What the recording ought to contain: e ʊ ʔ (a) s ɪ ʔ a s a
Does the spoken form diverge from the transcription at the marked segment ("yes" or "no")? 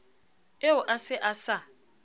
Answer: no